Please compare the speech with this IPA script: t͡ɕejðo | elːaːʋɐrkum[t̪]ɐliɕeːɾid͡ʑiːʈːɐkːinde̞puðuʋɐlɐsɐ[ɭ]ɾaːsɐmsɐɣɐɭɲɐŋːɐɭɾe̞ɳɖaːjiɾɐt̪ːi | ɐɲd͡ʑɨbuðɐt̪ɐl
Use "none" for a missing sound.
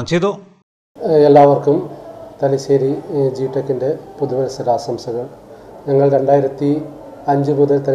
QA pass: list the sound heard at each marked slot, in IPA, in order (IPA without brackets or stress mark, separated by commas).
t̪, none